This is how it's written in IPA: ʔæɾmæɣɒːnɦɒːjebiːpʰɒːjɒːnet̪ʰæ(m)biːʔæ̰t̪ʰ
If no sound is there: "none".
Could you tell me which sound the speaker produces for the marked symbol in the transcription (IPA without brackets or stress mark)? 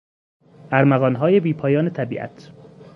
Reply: none